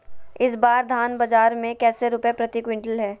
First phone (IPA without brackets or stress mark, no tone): ɪ